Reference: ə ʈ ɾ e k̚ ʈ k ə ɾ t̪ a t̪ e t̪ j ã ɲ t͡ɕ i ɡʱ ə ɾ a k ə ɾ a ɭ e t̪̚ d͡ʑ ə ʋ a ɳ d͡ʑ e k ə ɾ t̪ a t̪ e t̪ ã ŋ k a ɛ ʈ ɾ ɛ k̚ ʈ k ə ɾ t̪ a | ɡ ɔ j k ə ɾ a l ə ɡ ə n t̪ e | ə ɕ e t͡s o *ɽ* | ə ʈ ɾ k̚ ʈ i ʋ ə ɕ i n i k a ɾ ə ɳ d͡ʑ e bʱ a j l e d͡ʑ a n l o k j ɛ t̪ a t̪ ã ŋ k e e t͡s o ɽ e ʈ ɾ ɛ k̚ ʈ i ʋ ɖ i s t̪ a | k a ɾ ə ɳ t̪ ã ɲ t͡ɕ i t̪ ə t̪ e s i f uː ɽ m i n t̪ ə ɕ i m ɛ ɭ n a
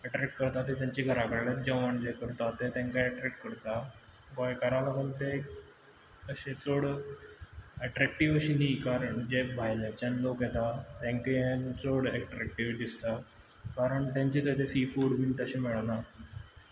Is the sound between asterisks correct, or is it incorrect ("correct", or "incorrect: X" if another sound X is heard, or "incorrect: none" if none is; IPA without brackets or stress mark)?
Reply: correct